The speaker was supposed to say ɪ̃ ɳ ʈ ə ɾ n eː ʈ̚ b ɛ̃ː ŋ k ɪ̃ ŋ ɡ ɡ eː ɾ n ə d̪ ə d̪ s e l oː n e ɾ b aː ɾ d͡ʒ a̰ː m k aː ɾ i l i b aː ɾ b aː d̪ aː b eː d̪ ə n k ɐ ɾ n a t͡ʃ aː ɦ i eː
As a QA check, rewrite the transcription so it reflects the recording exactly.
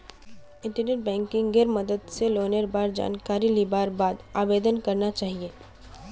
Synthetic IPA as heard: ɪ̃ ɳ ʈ ə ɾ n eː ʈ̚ b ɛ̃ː ŋ k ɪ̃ ŋ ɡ ɡ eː ɾ m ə d̪ ə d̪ s e l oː n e ɾ b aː ɾ d͡ʒ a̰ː n k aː ɾ i l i b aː ɾ b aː d̪ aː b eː d̪ ə n k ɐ ɾ n a t͡ʃ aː ɦ i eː